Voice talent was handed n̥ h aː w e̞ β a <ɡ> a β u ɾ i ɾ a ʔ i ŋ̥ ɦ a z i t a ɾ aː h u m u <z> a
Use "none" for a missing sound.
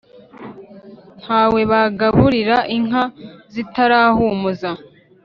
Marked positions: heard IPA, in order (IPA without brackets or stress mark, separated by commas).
ɡ, z